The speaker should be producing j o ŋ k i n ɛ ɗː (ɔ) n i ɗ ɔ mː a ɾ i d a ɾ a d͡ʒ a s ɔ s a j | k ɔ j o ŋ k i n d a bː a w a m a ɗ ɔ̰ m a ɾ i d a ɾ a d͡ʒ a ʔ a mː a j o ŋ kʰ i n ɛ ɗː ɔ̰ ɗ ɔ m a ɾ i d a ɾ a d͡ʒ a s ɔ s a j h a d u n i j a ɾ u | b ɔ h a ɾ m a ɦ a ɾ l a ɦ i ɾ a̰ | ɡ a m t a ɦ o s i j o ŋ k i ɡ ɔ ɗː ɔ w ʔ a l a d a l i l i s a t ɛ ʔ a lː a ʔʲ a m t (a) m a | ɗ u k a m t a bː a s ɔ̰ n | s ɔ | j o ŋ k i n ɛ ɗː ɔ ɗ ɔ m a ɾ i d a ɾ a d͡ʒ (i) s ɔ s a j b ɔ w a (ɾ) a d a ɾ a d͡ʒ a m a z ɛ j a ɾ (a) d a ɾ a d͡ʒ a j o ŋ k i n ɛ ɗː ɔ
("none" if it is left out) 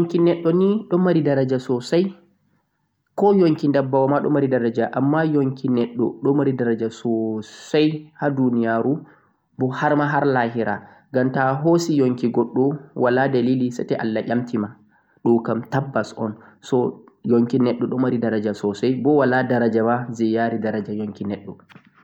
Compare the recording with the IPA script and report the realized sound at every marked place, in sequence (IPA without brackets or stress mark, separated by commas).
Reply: ɔ, i, a, l, i